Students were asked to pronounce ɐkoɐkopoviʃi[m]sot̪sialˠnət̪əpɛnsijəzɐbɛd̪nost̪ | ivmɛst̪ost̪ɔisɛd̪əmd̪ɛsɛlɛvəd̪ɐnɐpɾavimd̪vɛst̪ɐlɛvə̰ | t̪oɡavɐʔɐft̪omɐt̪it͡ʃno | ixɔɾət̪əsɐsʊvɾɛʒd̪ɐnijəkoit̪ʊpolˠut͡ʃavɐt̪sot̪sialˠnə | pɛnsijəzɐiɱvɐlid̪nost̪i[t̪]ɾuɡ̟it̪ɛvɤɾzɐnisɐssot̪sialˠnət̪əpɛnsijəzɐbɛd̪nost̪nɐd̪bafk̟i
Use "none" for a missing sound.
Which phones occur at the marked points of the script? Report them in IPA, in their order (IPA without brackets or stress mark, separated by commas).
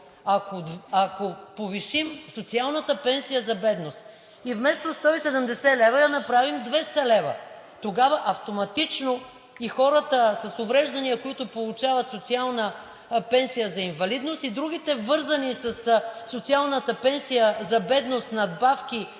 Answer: m, d̪